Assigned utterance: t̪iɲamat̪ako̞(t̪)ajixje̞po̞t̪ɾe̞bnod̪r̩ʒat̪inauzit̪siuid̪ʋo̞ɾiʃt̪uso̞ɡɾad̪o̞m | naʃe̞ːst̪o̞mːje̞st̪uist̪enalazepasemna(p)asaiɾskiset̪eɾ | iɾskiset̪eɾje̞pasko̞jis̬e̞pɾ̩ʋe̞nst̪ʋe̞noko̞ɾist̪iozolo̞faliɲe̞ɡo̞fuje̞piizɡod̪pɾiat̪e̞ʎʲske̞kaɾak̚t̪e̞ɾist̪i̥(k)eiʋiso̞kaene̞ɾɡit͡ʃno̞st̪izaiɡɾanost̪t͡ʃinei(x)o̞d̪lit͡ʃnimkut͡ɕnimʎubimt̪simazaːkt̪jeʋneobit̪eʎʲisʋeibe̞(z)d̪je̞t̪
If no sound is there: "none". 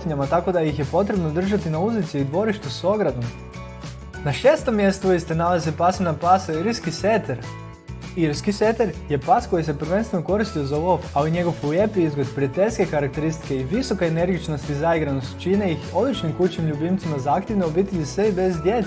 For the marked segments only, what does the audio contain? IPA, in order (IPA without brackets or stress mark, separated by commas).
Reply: d̪, p, k, x, z